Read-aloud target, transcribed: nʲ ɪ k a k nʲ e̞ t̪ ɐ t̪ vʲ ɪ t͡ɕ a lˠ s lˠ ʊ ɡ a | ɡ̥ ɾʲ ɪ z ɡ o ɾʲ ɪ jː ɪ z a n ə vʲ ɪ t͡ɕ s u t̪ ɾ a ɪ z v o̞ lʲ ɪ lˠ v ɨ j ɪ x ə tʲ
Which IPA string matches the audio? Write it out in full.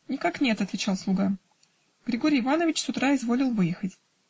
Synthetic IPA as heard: nʲ ɪ k a k nʲ e̞ t̪ ɐ t̪ vʲ ɪ t͡ɕ a lˠ s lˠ ʊ ɡ a | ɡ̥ ɾʲ ɪ ɡ o ɾʲ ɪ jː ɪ v a n ə vʲ ɪ t͡ɕ s ʊ t̪ ɾ a ɪ z v o̞ lʲ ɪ lˠ v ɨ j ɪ x ə tʲ